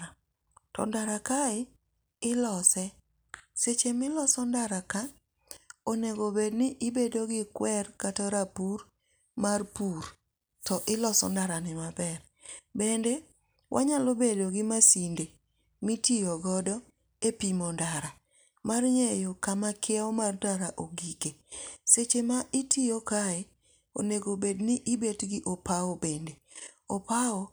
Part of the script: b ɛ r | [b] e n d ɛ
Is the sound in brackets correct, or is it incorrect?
correct